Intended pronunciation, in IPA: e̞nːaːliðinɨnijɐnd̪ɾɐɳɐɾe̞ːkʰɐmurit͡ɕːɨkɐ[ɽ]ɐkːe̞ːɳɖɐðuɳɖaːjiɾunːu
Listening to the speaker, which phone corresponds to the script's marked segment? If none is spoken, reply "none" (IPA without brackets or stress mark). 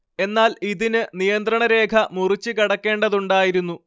ɽ